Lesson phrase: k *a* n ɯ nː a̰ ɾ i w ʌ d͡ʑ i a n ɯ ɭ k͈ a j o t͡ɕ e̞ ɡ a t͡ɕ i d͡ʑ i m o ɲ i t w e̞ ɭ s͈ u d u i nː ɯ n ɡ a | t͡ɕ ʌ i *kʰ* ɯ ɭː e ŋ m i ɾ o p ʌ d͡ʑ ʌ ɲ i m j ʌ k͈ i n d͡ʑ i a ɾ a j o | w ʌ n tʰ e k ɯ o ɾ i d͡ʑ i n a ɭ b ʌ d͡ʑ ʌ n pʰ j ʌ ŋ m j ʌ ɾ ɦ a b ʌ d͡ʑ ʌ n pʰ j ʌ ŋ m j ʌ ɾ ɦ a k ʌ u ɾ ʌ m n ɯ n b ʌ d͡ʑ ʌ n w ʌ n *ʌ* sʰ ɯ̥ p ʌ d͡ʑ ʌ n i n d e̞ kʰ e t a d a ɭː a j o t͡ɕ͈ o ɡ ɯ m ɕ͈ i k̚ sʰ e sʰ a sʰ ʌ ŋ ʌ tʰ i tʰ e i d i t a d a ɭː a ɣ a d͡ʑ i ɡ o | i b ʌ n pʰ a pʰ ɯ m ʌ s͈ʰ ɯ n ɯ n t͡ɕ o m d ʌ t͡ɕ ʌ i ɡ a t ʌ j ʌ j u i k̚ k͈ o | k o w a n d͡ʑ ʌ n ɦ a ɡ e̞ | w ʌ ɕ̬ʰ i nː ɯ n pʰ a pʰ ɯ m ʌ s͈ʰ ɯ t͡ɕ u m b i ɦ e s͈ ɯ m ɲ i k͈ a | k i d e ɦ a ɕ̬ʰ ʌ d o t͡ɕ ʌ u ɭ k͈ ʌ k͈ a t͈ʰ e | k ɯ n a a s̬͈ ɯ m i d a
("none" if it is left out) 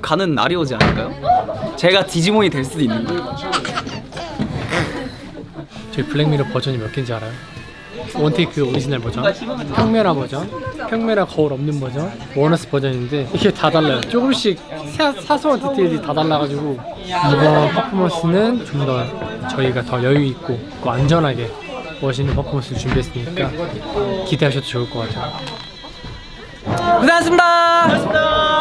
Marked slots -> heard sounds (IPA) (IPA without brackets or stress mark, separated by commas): a, pʰ, ʌ